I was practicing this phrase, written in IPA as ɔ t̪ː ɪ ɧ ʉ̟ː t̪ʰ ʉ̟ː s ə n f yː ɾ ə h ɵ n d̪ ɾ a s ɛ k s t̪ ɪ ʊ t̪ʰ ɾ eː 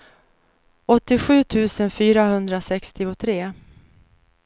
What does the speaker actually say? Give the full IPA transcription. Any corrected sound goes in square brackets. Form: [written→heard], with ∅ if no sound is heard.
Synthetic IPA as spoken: ɔ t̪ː ɪ ɧ ʉ̟ː t̪ʰ ʉ̟ː s ə n f yː ɾ [ə→a] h ɵ n d̪ ɾ a s ɛ k s t̪ ɪ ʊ t̪ʰ ɾ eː